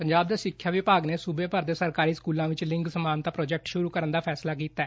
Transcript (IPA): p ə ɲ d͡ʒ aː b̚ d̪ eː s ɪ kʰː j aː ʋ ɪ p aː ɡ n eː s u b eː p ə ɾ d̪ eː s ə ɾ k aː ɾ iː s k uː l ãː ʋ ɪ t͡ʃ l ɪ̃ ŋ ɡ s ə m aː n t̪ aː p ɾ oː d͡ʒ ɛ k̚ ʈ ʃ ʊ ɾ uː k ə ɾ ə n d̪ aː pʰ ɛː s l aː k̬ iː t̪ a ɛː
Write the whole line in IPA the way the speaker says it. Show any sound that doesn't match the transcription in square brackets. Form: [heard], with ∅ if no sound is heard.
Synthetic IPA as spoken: p ə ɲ d͡ʒ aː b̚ d̪ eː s ɪ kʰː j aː ʋ ɪ p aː ɡ n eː s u b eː p ə ɾ d̪ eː s ə ɾ k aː ɾ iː s k uː l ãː ʋ ɪ t͡ʃ l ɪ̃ ŋ ɡ s ə m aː n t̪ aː p ɾ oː d͡ʒ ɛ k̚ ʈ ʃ ʊ ɾ uː k ə ɾ ə n d̪ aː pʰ ɛː s l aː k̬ iː t̪ a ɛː